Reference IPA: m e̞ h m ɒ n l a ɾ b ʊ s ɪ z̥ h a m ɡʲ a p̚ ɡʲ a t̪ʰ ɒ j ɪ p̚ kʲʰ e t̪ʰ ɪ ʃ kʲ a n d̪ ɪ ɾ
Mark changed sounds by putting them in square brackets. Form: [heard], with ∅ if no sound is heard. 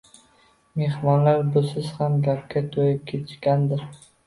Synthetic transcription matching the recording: m e̞ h m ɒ n l a ɾ b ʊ s ɪ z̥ h a m ɡʲ a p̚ [kʲ] a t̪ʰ [o] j ɪ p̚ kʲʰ e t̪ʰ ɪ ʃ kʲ a n d̪ ɪ ɾ